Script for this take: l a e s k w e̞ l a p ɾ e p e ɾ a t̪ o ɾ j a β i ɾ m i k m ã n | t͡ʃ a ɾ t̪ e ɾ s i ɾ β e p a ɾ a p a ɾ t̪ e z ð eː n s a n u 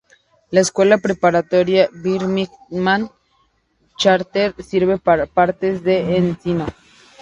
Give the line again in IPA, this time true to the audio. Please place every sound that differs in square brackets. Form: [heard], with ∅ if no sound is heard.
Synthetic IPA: l a e s k w e̞ l a p ɾ e p [a] ɾ a t̪ o ɾ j a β i ɾ m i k m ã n | t͡ʃ a ɾ t̪ e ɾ s i ɾ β e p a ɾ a p a ɾ t̪ e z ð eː n s [i] n [o]